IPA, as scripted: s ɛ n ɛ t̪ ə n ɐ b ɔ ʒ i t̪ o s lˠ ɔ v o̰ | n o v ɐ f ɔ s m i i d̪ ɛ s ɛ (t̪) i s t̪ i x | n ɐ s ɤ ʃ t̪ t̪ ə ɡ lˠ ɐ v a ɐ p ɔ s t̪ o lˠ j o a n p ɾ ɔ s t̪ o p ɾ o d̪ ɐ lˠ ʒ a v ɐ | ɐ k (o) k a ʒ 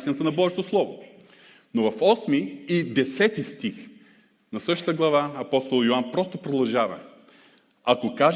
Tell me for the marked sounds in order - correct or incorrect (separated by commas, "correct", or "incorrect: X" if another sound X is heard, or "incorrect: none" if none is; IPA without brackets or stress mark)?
correct, correct